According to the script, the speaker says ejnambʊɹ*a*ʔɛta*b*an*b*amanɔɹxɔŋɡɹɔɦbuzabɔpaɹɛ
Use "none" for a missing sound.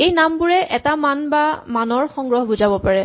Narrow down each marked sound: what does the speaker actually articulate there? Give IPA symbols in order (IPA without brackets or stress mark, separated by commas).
ɛ, m, b